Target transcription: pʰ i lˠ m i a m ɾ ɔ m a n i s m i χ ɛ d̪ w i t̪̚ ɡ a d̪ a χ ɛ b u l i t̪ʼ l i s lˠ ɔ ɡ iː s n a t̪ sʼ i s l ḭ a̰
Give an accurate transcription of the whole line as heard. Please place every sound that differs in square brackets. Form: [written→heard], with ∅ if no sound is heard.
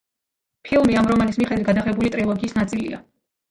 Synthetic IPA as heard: pʰ i lˠ m i a m ɾ ɔ m a n i s m i χ ɛ d̪ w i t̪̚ ɡ a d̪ a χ ɛ b u l i t̪ʼ [l→ɾ] i [s→∅] lˠ ɔ ɡ iː s n a t̪ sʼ i [s→∅] l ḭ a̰